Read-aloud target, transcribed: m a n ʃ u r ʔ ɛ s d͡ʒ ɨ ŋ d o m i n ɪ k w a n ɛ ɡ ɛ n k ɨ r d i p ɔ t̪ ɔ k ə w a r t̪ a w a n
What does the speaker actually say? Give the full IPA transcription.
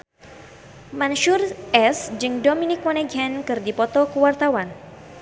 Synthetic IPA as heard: m a n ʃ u r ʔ ɛ s d͡ʒ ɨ ŋ d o m i n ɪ k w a n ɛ ɡ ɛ n k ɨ r d i p ɔ t̪ ɔ k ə w a r t̪ a w a n